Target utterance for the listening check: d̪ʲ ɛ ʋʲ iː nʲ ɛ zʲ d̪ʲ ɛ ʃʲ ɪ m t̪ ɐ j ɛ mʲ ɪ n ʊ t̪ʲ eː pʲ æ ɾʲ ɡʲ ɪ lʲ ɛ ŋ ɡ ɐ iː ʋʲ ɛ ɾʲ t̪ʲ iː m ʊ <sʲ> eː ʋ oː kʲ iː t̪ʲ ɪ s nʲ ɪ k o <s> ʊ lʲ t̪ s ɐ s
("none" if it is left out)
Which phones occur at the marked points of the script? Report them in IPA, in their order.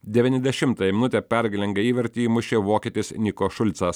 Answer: ʃʲ, ʃ

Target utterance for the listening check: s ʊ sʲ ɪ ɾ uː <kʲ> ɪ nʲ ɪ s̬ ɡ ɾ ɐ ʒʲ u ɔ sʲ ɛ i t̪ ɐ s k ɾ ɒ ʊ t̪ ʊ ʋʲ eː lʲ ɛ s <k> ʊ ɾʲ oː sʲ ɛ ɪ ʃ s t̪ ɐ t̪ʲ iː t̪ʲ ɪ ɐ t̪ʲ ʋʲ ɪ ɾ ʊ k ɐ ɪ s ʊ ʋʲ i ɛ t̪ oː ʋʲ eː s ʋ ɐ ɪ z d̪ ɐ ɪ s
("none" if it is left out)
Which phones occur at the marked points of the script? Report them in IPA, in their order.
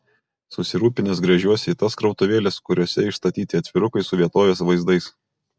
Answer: pʲ, k

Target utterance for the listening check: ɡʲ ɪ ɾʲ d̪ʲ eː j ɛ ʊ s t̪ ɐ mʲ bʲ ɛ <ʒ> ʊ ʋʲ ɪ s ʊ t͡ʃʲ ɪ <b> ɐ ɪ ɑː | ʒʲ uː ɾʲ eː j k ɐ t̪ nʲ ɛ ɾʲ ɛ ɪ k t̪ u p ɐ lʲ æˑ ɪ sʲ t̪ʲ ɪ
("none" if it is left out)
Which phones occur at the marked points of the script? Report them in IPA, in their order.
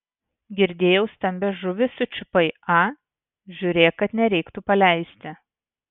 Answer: ʒ, p

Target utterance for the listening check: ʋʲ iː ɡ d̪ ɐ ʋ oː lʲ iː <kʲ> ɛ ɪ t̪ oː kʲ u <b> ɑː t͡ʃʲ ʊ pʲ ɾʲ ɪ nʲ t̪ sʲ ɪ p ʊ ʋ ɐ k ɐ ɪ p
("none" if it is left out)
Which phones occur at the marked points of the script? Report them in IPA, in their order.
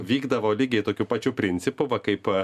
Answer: ɡʲ, p

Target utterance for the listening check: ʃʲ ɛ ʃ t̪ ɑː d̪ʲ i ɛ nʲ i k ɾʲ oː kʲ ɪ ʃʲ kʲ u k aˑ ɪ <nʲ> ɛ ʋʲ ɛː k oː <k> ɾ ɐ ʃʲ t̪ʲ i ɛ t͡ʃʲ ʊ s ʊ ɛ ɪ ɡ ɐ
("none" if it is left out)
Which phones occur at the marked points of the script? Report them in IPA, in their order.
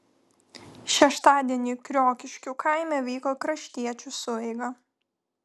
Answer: mʲ, k

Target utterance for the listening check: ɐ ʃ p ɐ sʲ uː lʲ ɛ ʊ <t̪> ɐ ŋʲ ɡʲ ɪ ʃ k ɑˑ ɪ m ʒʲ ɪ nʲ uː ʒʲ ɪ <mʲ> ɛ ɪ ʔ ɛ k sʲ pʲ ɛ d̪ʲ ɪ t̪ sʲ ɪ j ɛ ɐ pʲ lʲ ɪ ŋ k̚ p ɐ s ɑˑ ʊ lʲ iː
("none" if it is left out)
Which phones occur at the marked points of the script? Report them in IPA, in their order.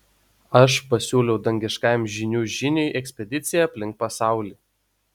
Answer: d̪, nʲ

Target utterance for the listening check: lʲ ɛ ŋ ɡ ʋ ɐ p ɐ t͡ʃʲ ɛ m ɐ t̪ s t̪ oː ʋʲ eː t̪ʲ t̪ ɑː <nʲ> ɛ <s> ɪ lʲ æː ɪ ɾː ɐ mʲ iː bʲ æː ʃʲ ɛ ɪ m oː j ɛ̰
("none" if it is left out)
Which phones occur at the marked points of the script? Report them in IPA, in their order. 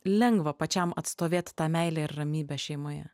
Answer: mʲ, none

